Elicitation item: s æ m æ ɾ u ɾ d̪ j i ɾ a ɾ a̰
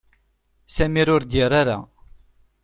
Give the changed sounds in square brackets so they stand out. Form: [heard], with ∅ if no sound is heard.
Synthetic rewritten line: s æ m [i] ɾ [ʊ] ɾ d̪ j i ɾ a ɾ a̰